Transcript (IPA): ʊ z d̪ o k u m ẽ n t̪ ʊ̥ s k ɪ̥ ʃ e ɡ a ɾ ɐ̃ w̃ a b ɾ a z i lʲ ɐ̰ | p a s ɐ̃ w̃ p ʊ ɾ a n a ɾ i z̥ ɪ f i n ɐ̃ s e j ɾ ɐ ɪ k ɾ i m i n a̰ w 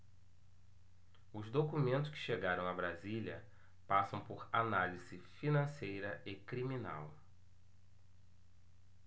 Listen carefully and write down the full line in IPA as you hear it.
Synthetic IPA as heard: ʊ z d̪ o k u m ẽ n t̪ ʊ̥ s k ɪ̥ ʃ e ɡ a ɾ ɐ̃ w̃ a b ɾ a z i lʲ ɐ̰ | p a s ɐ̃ w̃ p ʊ ɾ a n a l i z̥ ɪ f i n ɐ̃ s e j ɾ ɐ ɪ k ɾ i m i n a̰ w